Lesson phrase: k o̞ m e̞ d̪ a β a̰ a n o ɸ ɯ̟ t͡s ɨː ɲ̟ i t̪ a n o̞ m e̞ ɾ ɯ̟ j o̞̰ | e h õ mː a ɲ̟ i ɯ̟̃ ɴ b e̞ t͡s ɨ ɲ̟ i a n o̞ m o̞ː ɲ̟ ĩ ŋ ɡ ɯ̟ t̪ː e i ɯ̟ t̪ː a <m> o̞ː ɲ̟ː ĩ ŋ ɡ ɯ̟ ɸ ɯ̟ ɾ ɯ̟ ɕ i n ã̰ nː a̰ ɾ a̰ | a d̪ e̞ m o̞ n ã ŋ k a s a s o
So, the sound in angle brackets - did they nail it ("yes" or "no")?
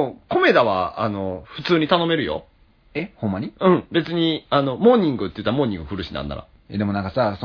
yes